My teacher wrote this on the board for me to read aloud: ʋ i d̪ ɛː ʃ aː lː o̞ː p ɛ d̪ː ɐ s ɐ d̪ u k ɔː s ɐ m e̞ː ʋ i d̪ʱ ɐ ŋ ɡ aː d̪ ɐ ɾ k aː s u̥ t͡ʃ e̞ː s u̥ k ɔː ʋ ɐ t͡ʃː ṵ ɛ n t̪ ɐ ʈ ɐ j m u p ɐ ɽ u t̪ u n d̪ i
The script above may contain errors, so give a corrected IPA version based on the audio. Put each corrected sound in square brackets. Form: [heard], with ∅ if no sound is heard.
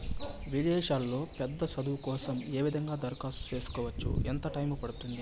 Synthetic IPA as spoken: ʋ i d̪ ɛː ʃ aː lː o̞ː p ɛ d̪ː ɐ s ɐ d̪ u k ɔː s ɐ m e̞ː ʋ i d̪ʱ ɐ ŋ ɡ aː d̪ ɐ ɾ k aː s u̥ t͡ʃ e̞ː s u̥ k ɔː ʋ ɐ t͡ʃː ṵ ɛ n t̪ ɐ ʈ ɐ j m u p ɐ ɽ u t̪ u n d̪ i